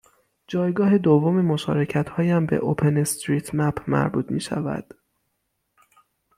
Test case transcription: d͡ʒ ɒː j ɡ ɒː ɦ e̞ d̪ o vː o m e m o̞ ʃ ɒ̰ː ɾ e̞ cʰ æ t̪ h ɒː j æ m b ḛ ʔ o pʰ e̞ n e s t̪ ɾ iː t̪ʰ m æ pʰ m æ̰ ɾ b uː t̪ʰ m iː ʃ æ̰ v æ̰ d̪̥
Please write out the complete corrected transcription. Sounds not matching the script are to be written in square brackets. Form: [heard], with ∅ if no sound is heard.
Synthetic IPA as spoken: d͡ʒ ɒː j ɡ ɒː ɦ e̞ d̪ o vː o m e m o̞ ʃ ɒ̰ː ɾ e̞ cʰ æ t̪ h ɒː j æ m b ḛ ʔ o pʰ e̞ n e s t̪ ɾ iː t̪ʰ m æ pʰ m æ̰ ɾ b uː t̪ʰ m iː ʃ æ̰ v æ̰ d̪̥

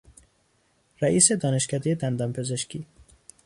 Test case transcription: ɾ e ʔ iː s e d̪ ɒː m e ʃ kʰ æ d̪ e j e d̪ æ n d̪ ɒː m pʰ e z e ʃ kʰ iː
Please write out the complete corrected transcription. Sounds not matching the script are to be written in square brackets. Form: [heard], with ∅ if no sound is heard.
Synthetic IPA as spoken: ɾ [æ] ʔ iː s e d̪ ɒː [n] e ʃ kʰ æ d̪ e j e d̪ æ n d̪ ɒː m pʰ e z e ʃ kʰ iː

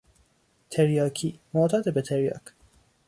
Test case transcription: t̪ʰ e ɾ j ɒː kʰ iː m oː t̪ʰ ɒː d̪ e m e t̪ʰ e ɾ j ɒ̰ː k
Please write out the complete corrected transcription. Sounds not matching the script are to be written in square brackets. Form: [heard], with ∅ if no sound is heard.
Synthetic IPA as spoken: t̪ʰ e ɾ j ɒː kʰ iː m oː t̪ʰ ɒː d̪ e [b] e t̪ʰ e ɾ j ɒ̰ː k

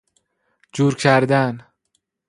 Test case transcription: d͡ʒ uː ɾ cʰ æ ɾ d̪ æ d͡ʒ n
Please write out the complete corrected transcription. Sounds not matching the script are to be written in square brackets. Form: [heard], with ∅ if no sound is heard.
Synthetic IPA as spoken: d͡ʒ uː ɾ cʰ æ ɾ d̪ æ [∅] n

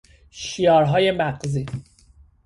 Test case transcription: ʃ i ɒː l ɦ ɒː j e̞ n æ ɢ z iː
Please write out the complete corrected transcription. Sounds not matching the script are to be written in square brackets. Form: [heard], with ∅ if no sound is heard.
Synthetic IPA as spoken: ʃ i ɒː [ɾ] ɦ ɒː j e̞ [m] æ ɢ z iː

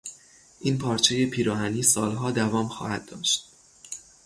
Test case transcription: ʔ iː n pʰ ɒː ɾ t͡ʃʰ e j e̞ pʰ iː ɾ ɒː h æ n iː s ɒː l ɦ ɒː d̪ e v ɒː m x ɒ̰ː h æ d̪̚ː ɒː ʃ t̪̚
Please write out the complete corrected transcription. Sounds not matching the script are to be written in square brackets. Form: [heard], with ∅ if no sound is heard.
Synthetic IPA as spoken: ʔ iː n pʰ ɒː ɾ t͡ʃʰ e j e̞ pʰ iː ɾ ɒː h æ n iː s ɒː l ɦ ɒː d̪ [æ] v ɒː m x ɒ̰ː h æ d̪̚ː ɒː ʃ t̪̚

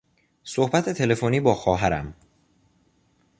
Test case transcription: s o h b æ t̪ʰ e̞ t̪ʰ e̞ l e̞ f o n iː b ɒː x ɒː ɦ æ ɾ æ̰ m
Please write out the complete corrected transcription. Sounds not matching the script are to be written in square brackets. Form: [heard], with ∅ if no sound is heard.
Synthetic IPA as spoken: s o h b æ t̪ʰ e̞ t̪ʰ e̞ l e̞ f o n iː b ɒː x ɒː ɦ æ ɾ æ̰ m

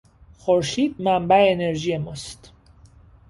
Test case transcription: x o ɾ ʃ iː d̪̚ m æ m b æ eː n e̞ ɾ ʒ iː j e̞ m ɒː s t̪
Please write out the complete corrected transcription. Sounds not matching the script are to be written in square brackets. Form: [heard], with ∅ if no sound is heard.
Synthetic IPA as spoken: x o ɾ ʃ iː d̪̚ m æ m b æ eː n e̞ ɾ ʒ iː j e̞ m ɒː s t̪

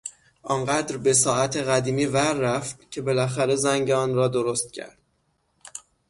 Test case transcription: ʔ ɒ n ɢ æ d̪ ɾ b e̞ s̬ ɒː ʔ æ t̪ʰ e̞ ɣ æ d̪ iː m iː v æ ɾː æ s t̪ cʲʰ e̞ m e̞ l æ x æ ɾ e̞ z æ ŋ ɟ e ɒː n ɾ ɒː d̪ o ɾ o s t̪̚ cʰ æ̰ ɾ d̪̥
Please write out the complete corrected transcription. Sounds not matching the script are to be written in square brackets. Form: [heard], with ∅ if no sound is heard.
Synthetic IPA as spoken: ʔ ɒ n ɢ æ d̪ ɾ b e̞ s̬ ɒː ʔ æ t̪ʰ e̞ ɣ æ d̪ iː m iː v æ ɾː æ [f] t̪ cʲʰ e̞ [b] e̞ l æ x æ ɾ e̞ z æ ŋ ɟ e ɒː n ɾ ɒː d̪ o ɾ o s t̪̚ cʰ æ̰ ɾ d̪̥

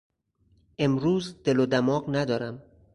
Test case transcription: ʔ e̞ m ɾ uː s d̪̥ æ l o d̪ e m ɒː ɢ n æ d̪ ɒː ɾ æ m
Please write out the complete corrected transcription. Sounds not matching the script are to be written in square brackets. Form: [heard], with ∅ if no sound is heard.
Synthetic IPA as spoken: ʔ e̞ m ɾ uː [z] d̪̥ [e] l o d̪ [æ] m ɒː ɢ n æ d̪ ɒː ɾ æ m

